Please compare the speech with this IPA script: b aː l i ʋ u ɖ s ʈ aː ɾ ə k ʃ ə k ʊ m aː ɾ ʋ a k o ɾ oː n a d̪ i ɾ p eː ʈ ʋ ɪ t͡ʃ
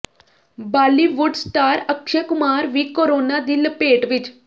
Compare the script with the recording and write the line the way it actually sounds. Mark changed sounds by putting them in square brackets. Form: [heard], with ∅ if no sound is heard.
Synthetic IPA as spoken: b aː l i ʋ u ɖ s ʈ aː ɾ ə k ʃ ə k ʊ m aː ɾ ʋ [i] k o ɾ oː n a d̪ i [l] p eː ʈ ʋ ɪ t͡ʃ